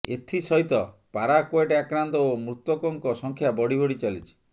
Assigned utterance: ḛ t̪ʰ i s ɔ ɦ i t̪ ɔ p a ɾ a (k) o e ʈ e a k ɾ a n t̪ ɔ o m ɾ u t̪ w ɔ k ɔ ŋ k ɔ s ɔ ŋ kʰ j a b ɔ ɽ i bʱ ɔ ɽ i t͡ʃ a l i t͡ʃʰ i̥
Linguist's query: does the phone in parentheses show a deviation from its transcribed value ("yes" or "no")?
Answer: no